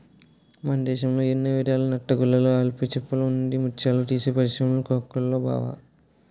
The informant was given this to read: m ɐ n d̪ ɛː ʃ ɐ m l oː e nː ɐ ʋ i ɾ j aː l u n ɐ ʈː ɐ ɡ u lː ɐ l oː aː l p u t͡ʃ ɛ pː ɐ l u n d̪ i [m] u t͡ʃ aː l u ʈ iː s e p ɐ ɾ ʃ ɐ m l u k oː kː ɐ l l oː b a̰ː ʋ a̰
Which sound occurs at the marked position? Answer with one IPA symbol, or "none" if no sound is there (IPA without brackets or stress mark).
m